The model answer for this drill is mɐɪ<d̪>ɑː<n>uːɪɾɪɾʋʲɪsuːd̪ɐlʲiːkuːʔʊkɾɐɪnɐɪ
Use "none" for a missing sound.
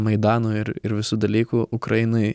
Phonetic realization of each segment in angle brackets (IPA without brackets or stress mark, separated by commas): d̪, n